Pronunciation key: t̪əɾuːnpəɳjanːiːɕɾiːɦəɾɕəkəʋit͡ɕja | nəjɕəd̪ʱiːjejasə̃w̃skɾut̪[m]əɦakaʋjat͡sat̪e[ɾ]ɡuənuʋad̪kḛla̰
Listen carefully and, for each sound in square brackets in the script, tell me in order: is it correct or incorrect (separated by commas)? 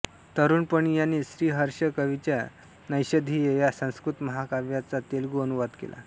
correct, incorrect